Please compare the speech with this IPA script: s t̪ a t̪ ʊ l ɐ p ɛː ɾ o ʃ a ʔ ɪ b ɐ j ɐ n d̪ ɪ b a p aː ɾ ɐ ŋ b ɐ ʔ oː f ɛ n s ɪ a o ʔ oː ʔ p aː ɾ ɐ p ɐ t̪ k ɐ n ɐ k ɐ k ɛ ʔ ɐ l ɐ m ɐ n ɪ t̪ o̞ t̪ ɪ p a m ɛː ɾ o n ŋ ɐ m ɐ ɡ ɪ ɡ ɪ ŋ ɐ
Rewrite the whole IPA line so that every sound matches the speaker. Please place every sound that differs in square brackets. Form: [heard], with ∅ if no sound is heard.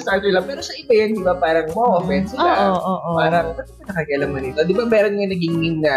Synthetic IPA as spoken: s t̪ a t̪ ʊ l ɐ p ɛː ɾ o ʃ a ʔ ɪ b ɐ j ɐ n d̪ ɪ b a p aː ɾ ɐ ŋ [m] ɐ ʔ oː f ɛ n s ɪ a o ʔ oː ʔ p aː ɾ ɐ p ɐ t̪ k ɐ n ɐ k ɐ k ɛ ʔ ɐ l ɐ m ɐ n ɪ t̪ o̞ [d̪] ɪ [b] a m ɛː ɾ o n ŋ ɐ [n] ɐ ɡ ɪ [ŋ] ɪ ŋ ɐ